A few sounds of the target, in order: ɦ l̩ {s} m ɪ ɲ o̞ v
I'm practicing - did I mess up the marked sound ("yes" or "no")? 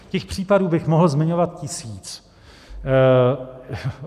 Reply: yes